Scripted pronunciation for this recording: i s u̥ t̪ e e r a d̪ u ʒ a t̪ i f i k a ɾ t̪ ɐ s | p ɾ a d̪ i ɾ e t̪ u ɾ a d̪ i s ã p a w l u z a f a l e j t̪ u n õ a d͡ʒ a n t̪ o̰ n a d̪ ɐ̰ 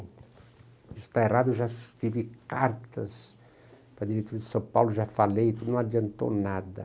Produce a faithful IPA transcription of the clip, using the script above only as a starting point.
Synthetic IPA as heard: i s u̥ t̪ a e r a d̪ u ʒ a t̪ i v i k a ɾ t̪ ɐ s | p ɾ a d̪ i ɾ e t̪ u ɾ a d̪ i s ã p a w l u ʒ a f a l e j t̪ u n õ a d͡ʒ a n t̪ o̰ n a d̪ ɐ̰

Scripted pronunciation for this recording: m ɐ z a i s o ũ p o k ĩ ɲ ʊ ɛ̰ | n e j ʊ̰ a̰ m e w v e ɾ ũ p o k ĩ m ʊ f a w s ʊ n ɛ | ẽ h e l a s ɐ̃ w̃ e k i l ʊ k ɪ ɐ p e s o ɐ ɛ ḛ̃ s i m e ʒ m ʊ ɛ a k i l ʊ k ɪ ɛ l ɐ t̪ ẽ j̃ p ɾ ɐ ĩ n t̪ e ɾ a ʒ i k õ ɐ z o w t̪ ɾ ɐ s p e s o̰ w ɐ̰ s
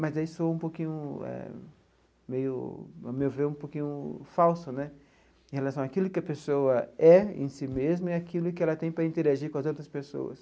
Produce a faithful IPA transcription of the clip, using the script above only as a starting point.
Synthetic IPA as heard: m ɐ z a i s o ũ p o k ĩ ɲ ʊ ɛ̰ | m e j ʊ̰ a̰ m e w v e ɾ ũ p o k ĩ ɲ ʊ f a w s ʊ n ɛ | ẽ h e l a s ɐ̃ w̃ a k i l ʊ k ɪ ɐ p e s o ɐ ɛ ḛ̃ s i m e z m ʊ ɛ a k i l ʊ k ɪ ɛ l ɐ t̪ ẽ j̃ p ɾ ɐ ĩ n t̪ e ɾ a ʒ i k õ ɐ z o w t̪ ɾ ɐ s p e s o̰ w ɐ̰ s

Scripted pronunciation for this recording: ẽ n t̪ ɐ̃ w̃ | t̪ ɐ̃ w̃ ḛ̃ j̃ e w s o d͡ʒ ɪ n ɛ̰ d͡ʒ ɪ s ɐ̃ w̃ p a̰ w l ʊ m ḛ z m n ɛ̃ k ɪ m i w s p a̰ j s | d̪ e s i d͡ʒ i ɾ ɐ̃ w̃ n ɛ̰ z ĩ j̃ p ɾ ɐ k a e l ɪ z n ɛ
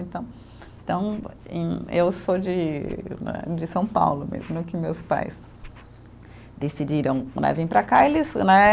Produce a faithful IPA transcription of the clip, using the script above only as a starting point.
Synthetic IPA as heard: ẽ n t̪ ɐ̃ w̃ | t̪ ɐ̃ w̃ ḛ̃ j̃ e w s o d͡ʒ ɪ n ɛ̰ d͡ʒ ɪ s ɐ̃ w̃ p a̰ w l ʊ m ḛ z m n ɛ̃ k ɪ m e w s p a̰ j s | d̪ e s i d͡ʒ i ɾ ɐ̃ w̃ n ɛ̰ v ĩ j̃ p ɾ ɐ k a e l ɪ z n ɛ

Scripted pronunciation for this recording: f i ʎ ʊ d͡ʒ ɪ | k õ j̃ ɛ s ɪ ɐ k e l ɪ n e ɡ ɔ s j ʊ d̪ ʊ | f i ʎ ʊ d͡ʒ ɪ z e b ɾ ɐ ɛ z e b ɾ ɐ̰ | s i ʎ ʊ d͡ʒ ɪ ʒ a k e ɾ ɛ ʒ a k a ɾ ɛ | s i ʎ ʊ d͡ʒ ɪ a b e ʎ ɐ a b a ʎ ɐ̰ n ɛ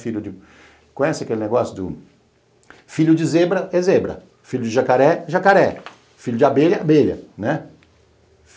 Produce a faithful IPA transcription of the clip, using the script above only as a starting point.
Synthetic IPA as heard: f i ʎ ʊ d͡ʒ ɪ | k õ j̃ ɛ s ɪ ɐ k e l ɪ n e ɡ ɔ s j ʊ d̪ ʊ | f i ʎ ʊ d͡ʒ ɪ z e b ɾ ɐ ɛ z e b ɾ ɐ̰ | f i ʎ ʊ d͡ʒ ɪ ʒ a k a ɾ ɛ ʒ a k a ɾ ɛ | f i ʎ ʊ d͡ʒ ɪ a b e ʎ ɐ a b e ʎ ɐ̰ n ɛ

